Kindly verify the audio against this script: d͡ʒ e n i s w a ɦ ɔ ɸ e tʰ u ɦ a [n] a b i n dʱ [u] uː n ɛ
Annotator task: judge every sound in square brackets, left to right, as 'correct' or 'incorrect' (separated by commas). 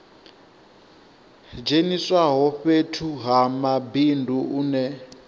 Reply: incorrect, correct